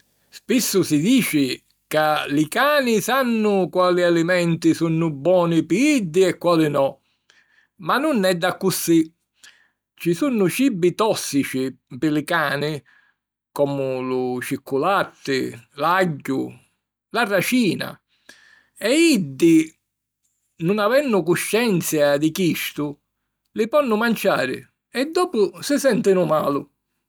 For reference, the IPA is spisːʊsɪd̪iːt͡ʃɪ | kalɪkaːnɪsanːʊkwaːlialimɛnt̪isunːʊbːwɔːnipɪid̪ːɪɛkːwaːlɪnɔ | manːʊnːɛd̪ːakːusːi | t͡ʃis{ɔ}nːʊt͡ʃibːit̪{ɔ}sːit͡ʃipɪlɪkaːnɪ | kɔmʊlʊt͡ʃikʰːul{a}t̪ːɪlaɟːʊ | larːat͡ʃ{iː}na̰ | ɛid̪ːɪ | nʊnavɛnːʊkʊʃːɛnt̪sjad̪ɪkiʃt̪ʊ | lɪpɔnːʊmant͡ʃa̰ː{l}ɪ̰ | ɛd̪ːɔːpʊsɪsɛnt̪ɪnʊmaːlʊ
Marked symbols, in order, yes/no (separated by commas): no, yes, yes, yes, no